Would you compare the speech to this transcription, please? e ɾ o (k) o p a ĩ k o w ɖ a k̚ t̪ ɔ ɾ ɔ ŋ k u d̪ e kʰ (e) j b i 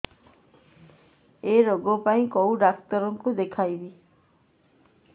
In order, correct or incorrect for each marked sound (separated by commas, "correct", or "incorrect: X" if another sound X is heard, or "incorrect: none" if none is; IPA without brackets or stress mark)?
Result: incorrect: ɡ, incorrect: a